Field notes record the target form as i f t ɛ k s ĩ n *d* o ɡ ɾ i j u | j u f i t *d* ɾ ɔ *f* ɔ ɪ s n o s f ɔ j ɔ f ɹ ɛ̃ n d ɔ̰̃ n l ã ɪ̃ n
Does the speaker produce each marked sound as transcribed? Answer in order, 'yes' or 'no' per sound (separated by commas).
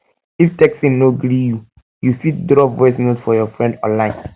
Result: no, yes, no